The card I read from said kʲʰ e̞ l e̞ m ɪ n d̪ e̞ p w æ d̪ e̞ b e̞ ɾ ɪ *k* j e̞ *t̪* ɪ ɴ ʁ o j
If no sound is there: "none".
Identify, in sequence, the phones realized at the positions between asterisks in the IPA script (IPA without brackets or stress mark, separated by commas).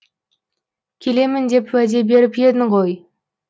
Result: p, d̪